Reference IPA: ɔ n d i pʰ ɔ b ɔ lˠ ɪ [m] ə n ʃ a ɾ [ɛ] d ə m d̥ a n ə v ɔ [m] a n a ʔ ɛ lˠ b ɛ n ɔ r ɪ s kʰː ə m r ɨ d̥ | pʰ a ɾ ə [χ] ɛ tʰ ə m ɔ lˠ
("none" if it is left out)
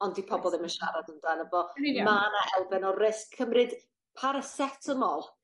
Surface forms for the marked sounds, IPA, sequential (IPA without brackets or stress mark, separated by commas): m, a, m, s